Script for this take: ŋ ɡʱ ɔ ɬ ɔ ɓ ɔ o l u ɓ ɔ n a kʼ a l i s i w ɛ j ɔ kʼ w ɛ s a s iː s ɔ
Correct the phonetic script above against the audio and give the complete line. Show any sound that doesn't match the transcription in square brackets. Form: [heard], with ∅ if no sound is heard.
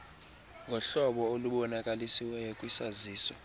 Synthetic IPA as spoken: ŋ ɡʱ ɔ ɬ ɔ ɓ ɔ o l u ɓ ɔ n a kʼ a l i s i w ɛ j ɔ kʼ w [i] s a [z] iː s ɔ

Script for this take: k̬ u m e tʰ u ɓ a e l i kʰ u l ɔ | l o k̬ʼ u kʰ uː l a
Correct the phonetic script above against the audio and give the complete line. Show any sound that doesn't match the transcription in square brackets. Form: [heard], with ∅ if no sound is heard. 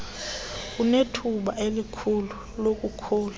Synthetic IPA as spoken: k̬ u [n] e tʰ u ɓ a e l i kʰ u l [u] | l o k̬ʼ u kʰ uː l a

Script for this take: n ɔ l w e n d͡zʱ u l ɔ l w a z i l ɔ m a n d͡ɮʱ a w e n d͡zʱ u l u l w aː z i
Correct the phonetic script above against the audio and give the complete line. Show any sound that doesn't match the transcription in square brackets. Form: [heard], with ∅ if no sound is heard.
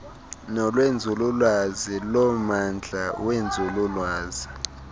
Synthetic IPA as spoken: n ɔ l w e n d͡zʱ u l [u] l w a z i l ɔ m a n d͡ɮʱ a w e n d͡zʱ u l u l w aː z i

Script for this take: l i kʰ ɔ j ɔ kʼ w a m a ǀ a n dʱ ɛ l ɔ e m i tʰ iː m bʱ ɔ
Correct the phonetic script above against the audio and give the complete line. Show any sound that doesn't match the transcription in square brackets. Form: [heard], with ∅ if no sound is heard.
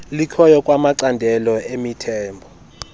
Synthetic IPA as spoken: l i kʰ ɔ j ɔ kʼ w a m a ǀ a n dʱ ɛ l ɔ e m i tʰ [ɛː] m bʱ ɔ

